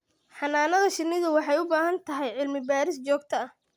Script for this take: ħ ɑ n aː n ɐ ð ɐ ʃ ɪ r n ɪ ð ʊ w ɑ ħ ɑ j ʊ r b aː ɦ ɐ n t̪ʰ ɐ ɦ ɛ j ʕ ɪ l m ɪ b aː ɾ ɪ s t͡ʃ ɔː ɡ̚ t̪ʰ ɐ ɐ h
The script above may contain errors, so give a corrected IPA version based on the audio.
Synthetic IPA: ħ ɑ n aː n ɐ ð ɐ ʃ ɪ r n ɪ ð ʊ w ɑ ħ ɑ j ʊ b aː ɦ ɐ n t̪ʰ ɐ ɦ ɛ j ʕ ɪ l m ɪ b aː ɾ ɪ s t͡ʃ ɔː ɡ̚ t̪ʰ ɐ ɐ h